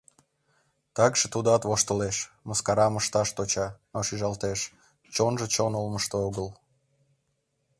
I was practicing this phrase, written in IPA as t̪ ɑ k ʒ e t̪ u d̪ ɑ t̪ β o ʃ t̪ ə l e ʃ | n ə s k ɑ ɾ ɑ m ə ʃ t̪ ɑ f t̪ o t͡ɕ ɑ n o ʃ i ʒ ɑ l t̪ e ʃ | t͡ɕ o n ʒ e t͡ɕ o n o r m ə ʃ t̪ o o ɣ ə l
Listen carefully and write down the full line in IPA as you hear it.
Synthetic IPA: t̪ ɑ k ʒ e t̪ u d̪ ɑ t̪ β o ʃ t̪ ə l e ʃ | m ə s k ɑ ɾ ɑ m ə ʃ t̪ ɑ ʃ t̪ o t͡ɕ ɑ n o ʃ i ʒ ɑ l t̪ e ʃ | t͡ɕ o n ʒ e t͡ɕ o n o l m ə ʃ t̪ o o ɣ ə l